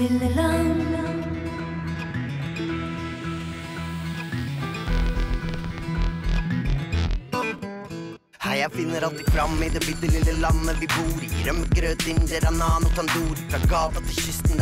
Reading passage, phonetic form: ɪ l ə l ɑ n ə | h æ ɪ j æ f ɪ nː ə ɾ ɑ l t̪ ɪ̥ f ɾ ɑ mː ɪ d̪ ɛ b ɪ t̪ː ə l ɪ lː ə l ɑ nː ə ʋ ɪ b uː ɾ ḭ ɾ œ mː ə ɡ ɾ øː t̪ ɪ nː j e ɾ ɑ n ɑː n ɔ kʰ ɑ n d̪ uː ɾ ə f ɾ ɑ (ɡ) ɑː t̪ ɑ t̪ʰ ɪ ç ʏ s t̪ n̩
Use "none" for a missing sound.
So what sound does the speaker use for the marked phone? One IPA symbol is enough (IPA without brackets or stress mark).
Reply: ɡ